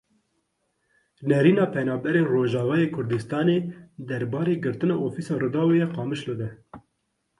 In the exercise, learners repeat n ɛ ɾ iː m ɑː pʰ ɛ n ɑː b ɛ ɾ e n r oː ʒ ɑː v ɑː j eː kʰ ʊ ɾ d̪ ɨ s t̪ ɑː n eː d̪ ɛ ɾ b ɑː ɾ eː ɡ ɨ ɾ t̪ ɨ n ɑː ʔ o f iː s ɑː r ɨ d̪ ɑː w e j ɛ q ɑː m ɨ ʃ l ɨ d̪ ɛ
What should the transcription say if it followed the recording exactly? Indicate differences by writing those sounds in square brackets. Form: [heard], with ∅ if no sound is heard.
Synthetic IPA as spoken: n ɛ ɾ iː [n] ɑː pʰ ɛ n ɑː b ɛ ɾ e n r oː ʒ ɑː v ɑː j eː kʰ ʊ ɾ d̪ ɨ s t̪ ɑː n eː d̪ ɛ ɾ b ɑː ɾ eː ɡ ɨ ɾ t̪ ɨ n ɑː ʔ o f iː s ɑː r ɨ d̪ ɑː w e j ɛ q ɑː m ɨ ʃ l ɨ d̪ ɛ